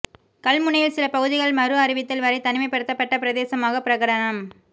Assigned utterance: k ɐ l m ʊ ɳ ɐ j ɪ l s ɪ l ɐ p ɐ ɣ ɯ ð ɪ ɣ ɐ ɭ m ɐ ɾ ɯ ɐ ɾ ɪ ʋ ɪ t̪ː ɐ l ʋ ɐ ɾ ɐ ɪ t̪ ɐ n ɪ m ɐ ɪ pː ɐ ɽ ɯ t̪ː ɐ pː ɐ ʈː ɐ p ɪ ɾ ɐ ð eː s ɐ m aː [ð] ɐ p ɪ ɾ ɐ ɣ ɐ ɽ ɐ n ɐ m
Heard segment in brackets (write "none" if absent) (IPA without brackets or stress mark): ɣ